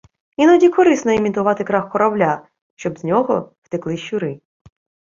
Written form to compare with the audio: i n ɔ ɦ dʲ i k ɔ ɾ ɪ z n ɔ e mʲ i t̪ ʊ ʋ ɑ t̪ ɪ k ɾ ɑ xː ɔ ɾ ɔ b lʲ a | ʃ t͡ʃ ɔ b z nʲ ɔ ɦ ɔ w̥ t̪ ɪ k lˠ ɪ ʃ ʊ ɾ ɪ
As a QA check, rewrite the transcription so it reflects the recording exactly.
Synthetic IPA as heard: i n ɔ dʲ i k ɔ ɾ ɪ s n ɔ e mʲ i t̪ ʊ ʋ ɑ t̪ ɪ k ɾ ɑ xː ɔ ɾ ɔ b lʲ a | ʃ t͡ʃ ɔ b z nʲ ɔ ɦ ɔ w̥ t̪ ɪ k lˠ ɪ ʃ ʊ ɾ ɪ